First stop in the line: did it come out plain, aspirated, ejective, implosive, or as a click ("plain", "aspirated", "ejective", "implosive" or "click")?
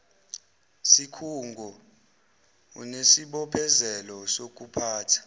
aspirated